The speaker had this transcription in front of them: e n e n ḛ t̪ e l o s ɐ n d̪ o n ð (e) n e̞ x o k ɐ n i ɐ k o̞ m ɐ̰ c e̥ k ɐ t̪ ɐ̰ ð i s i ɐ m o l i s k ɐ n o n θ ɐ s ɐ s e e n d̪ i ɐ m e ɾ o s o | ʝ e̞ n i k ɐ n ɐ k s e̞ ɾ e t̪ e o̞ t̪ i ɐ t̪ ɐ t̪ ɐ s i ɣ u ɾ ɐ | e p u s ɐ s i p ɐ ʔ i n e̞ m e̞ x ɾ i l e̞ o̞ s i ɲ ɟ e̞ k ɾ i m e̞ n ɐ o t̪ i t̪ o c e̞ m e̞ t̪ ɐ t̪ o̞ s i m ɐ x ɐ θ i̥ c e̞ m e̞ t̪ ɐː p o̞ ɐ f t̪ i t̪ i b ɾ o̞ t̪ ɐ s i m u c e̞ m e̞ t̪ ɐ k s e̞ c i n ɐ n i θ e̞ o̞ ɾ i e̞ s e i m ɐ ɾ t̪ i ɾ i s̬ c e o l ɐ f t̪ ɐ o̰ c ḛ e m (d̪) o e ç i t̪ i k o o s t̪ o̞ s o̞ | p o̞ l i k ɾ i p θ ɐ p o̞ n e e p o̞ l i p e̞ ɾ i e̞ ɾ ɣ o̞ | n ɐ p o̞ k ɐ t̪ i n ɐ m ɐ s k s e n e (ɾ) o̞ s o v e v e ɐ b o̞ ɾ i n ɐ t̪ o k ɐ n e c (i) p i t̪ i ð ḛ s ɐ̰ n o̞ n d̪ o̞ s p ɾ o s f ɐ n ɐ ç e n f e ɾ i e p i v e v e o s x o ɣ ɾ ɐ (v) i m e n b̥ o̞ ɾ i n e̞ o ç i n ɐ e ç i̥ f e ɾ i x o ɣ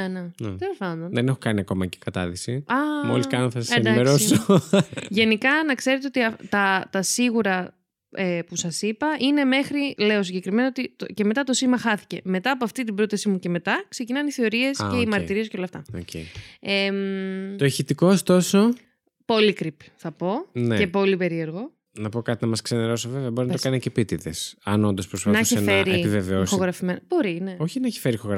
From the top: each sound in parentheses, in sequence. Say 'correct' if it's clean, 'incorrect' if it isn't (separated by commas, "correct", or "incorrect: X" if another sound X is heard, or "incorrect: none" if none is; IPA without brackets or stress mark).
correct, incorrect: t̪, correct, incorrect: e, incorrect: f